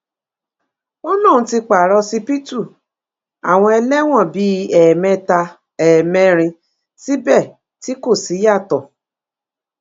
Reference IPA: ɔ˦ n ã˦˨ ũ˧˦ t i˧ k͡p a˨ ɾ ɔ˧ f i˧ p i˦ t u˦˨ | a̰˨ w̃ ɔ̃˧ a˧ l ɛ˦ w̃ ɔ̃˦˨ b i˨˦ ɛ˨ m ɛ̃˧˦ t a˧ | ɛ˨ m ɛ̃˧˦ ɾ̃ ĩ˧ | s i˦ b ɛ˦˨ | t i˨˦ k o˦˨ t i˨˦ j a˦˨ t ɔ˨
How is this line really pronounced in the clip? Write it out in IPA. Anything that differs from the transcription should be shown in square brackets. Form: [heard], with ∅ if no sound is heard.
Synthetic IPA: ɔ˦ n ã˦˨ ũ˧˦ t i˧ k͡p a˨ ɾ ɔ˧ [s] i˧ p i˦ t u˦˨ | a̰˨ w̃ ɔ̃˧ [ɛ˧] l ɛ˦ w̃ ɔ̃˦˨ b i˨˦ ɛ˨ m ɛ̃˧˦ t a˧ | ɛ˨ m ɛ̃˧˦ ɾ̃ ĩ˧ | s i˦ b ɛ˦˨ | t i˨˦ k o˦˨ [s] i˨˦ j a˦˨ t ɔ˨